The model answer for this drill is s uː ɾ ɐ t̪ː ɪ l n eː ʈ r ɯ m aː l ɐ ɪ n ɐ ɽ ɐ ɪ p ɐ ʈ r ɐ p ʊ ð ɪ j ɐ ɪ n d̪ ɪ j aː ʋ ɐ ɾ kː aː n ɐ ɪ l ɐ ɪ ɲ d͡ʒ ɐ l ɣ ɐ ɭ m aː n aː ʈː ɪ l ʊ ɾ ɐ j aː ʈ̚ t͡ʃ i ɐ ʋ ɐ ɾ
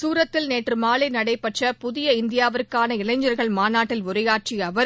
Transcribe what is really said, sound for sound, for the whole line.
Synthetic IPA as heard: s uː ɾ ɐ t̪ː ɪ l n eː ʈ r ɯ m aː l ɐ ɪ n ɐ ɽ ɐ ɪ p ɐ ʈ r ɐ p ʊ ð ɪ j ɐ ɪ n d̪ ɪ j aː ʋ ɐ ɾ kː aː n ɐ ɪ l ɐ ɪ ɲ d͡ʒ ɐ ɾ ɣ ɐ ɭ m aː n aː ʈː ɪ l ʊ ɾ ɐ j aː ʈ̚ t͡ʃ i ɐ ʋ ɐ ɾ